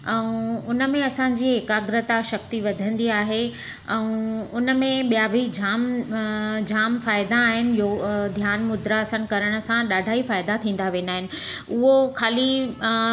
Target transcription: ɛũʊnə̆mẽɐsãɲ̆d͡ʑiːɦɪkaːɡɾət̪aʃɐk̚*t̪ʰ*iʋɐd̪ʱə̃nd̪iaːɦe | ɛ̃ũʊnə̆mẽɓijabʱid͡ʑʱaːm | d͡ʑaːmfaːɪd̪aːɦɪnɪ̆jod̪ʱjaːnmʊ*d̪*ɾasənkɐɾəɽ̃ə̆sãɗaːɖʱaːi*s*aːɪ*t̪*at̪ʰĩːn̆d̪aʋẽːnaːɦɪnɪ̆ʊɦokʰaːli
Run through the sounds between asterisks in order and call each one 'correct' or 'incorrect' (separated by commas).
incorrect, correct, incorrect, incorrect